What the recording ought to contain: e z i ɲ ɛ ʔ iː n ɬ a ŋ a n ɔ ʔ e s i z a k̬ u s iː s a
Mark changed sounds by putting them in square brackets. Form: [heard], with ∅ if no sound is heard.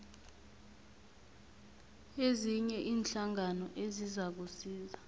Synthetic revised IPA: e z i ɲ ɛ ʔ iː n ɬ a ŋ a n ɔ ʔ e [z] i z a k̬ u s iː [z] a